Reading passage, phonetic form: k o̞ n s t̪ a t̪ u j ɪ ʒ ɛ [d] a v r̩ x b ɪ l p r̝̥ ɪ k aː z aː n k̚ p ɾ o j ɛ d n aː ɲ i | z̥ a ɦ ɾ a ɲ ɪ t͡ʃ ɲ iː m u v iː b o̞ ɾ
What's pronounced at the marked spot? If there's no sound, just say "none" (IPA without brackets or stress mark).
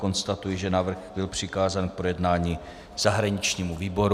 n